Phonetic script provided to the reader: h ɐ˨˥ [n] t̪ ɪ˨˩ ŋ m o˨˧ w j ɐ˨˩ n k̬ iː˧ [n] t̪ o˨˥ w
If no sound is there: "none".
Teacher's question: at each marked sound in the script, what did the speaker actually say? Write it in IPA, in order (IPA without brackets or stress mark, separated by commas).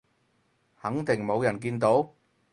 ŋ, n